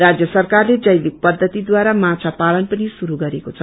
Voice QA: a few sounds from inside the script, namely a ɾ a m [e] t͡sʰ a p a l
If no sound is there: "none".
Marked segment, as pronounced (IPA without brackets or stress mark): a